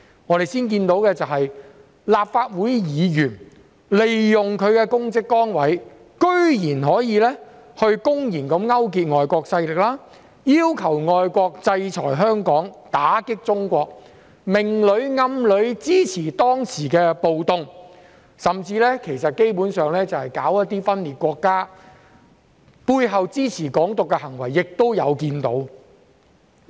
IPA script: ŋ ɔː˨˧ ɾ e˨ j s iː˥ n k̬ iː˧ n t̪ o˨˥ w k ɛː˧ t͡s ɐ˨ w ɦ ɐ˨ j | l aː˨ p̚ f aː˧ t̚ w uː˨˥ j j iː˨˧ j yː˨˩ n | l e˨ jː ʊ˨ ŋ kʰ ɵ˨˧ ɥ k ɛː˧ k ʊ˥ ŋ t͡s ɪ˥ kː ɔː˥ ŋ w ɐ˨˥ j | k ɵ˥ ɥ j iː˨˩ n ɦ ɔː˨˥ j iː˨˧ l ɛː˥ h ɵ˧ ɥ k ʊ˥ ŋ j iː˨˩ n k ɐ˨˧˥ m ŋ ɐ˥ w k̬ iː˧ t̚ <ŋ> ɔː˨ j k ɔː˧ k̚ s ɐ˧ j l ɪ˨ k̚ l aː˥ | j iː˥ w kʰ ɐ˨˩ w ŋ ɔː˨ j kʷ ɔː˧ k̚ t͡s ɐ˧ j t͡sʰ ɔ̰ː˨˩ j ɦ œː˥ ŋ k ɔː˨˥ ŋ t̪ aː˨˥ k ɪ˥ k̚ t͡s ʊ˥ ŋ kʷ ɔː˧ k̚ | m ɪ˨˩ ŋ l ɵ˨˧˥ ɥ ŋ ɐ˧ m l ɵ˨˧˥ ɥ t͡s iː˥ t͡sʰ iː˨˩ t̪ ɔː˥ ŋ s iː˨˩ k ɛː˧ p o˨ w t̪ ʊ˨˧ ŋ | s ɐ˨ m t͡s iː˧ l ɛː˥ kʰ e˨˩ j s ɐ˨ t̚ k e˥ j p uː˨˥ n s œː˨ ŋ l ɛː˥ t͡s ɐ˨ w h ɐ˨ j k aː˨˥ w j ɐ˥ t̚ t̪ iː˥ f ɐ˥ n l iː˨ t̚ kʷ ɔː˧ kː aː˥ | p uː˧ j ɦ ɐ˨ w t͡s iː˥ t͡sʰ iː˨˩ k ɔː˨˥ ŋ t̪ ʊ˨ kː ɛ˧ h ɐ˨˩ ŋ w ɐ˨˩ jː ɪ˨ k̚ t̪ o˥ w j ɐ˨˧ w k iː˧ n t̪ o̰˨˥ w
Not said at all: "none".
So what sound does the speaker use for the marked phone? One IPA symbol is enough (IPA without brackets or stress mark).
ŋ